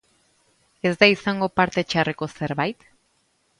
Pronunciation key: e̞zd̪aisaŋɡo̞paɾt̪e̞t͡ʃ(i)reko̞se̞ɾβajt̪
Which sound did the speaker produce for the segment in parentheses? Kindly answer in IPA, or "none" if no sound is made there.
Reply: a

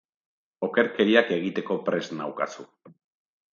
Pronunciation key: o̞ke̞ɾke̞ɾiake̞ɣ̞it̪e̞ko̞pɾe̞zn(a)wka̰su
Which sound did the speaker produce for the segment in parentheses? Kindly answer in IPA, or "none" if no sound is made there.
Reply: a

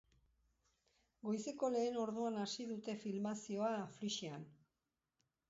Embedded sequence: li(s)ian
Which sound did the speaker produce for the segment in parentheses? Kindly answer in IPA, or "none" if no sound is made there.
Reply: ʃ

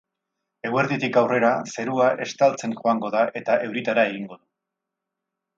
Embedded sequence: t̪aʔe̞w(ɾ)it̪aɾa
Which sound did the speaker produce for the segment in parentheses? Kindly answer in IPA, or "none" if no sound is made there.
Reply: ɾ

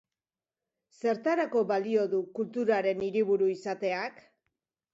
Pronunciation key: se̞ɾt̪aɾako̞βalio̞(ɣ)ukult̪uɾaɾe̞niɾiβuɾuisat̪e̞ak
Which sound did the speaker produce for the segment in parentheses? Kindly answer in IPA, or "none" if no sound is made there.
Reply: ð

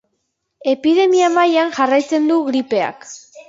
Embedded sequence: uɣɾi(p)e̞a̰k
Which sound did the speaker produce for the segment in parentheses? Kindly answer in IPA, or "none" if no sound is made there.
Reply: p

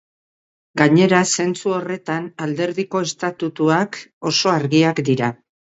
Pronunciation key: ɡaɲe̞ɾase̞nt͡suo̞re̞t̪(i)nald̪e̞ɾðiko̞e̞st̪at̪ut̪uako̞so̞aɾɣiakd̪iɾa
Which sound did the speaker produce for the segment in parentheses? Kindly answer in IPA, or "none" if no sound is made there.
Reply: a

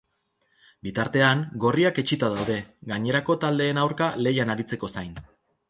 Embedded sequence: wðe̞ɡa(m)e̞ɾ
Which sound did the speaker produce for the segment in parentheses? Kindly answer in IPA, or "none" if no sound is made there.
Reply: ɲ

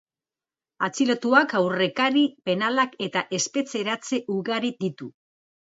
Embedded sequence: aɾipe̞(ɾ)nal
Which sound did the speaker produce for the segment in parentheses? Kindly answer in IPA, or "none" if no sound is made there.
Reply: none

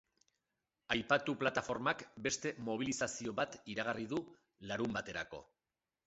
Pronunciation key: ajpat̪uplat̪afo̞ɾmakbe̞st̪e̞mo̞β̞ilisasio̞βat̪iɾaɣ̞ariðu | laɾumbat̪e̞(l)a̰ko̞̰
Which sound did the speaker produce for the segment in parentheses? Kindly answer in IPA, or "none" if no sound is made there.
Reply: ɾ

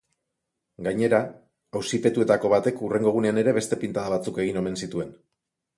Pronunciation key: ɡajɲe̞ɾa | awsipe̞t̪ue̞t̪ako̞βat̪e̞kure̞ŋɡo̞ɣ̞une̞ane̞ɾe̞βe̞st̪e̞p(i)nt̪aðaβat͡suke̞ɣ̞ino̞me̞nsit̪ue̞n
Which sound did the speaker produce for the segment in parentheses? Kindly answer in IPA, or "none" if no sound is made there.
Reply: i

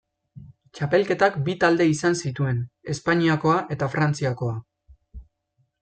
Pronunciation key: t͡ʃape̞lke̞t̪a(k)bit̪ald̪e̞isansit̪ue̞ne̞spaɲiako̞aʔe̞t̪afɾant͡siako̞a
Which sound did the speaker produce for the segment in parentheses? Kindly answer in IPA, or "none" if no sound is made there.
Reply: k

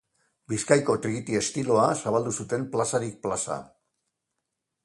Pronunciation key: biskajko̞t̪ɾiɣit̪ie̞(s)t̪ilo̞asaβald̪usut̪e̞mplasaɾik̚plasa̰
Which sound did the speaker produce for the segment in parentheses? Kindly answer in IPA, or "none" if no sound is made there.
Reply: s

